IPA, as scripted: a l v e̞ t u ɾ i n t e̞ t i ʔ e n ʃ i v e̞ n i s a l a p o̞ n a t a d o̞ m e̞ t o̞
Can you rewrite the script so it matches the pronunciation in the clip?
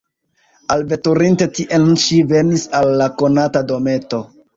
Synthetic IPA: a l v e̞ t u ɾ i n t e̞ t i ʔ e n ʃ i v e̞ n i s a lː a k o̞ n a t a d o̞ m e̞ t o̞

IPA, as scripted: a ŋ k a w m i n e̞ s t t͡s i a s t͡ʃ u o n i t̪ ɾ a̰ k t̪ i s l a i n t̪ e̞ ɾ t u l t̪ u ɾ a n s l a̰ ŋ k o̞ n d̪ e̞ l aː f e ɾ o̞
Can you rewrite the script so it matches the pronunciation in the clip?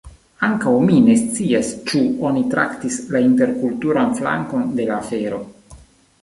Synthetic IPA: a ŋ k a w m i n e̞ s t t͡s i a s t͡ʃ u o n i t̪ ɾ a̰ k t̪ i s l a i n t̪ e̞ ɾ k u l t̪ u ɾ a n f l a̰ ŋ k o̞ n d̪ e̞ l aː f e ɾ o̞

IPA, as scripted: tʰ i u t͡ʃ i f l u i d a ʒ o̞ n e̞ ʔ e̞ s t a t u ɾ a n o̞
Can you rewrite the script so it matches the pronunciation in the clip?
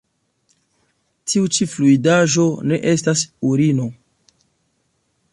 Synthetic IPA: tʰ i u t͡ʃ i f l u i d a ʒ o̞ n e̞ ʔ e̞ s t a s u ɾ i n o̞

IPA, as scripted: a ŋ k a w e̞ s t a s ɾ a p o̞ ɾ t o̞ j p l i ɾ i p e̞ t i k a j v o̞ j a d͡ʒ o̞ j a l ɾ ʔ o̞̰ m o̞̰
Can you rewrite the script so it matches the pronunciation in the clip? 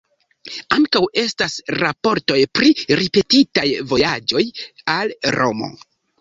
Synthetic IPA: a ŋ k a w e̞ s t a s ɾ a p o̞ ɾ t o̞ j p ɾ i ɾ i p e̞ t i t a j v o̞ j a d͡ʒ o̞ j a l ɾ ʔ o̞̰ m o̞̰

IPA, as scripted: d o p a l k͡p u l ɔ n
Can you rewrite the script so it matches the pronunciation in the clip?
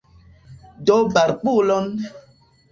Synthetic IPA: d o b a ɾ k͡p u l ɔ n

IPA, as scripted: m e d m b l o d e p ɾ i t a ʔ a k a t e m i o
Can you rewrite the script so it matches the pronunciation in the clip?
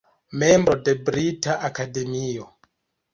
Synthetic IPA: m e m b ɾ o d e b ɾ i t a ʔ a k a d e m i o

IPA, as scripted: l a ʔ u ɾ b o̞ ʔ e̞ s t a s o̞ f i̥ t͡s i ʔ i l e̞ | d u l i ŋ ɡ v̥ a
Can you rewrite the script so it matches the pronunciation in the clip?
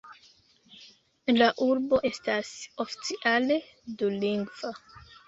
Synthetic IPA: l a ʔ u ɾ b o̞ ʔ e̞ s t a s o̞ f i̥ t͡s i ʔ a l e̞ | d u l i ŋ ɡ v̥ a

